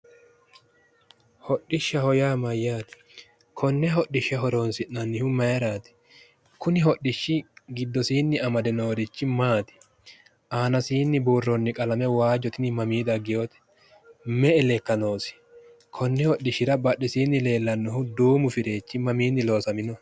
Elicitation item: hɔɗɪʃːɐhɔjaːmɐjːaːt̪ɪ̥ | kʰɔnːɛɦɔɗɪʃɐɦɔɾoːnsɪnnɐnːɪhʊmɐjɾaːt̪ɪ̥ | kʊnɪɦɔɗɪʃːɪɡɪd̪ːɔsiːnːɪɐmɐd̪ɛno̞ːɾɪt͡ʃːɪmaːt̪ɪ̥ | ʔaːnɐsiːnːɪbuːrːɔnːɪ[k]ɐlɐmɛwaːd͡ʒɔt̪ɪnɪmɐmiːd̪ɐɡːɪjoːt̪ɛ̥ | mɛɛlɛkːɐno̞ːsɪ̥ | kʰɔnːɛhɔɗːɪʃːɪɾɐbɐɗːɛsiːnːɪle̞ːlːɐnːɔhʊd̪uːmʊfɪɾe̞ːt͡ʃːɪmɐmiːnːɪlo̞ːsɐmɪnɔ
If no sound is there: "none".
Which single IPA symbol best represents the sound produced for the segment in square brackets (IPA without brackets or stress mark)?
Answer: kʼ